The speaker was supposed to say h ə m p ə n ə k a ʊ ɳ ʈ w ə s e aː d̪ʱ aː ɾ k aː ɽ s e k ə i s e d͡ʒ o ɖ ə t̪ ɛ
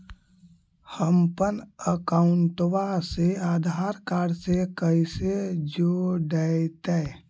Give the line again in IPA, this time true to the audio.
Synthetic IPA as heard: h ə m p ə n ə k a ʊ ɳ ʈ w a s e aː d̪ʱ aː ɾ k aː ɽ s e k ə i s e d͡ʒ o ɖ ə t̪ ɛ